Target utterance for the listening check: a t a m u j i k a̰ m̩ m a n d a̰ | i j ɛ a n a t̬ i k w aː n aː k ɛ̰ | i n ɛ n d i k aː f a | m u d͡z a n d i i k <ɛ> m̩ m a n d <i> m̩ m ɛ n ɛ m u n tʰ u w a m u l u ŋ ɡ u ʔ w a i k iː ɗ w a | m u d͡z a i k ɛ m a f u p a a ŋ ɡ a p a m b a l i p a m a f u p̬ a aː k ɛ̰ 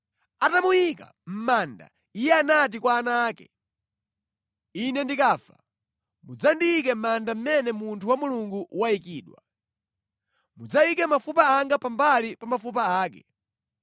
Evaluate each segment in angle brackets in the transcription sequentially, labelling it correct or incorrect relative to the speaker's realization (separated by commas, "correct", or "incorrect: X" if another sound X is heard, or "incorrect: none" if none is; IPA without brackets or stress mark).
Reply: correct, incorrect: a